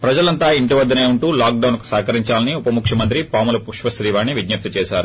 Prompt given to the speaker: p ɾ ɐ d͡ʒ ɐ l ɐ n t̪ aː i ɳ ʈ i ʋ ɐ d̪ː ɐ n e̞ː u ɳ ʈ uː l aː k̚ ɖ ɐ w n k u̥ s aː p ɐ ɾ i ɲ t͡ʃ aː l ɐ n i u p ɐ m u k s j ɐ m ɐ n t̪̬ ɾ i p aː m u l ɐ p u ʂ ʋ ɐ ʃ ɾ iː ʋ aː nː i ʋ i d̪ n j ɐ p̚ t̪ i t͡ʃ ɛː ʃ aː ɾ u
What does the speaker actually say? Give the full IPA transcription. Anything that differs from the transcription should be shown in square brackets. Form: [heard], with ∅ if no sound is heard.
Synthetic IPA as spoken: p ɾ ɐ d͡ʒ ɐ l ɐ n t̪ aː i ɳ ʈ i ʋ ɐ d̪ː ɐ n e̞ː u ɳ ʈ uː l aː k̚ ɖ ɐ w n k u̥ s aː [k] ɐ ɾ i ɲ t͡ʃ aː l ɐ n i u p ɐ m u k [ʂ] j ɐ m ɐ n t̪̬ ɾ i p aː m u l ɐ p u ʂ ʋ ɐ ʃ ɾ iː ʋ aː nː i ʋ i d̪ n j ɐ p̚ t̪ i t͡ʃ ɛː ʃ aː ɾ u